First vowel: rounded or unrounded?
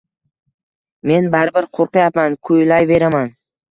unrounded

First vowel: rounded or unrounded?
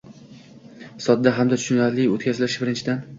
rounded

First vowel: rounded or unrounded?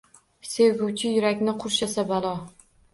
unrounded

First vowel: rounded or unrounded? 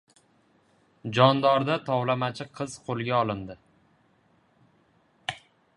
rounded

